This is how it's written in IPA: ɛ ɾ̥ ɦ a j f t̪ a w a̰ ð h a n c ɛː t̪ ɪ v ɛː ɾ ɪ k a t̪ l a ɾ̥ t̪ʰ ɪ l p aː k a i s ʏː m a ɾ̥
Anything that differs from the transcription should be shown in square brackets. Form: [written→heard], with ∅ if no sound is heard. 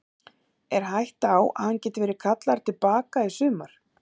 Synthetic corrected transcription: ɛ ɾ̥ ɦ a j [f→h] t̪ a w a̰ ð h a n c ɛː t̪ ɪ v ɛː ɾ ɪ [k→kʰ] a t̪ l a ɾ̥ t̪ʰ ɪ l p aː k a i s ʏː m a ɾ̥